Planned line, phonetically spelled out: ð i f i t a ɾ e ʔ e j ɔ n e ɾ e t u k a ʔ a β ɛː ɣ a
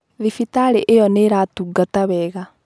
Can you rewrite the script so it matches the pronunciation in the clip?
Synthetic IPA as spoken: ð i f i t a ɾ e ʔ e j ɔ n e ɾ a t u ɡ a t a β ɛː ɣ a